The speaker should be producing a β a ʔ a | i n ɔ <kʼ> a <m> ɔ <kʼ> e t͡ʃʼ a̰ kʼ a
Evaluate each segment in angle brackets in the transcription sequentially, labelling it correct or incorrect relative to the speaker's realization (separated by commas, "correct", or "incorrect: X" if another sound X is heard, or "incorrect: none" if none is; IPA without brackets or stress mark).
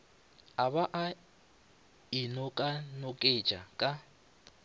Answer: correct, incorrect: n, correct